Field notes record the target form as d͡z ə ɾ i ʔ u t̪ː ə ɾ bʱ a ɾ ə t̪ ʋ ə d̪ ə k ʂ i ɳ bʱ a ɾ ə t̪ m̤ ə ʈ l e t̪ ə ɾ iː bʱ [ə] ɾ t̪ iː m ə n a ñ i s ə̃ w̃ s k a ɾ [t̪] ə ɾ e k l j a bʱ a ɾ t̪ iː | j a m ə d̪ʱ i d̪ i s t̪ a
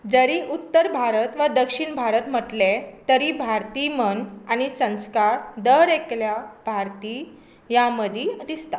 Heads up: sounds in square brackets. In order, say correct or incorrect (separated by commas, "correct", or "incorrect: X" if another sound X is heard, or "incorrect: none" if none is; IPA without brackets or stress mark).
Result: incorrect: a, incorrect: d̪